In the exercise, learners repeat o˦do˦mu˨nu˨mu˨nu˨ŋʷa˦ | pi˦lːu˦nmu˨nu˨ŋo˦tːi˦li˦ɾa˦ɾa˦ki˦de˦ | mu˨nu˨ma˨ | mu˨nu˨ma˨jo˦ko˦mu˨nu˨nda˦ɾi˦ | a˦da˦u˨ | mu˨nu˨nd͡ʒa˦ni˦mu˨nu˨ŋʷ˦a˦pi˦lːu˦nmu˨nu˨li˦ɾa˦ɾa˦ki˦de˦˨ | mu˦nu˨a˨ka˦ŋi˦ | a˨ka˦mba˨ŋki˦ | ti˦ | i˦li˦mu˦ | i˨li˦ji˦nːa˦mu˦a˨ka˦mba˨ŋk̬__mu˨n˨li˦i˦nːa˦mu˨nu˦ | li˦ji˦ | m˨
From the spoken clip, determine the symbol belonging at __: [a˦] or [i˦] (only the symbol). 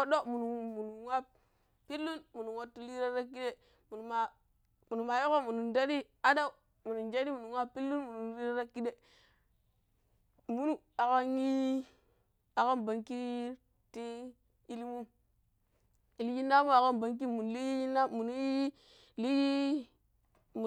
i˦